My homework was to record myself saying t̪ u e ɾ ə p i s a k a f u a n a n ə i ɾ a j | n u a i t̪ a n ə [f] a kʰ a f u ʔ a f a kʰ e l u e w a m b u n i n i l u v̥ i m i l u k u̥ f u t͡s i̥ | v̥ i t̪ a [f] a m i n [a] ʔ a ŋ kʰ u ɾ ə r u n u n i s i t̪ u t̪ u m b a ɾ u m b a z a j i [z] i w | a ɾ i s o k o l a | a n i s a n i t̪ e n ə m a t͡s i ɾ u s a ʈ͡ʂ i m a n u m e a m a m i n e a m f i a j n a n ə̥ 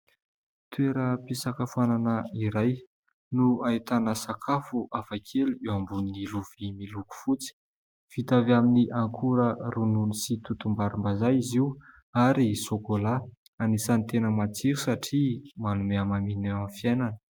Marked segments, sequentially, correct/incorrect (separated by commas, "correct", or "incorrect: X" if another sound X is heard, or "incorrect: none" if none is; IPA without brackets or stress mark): incorrect: s, incorrect: v, incorrect: i, correct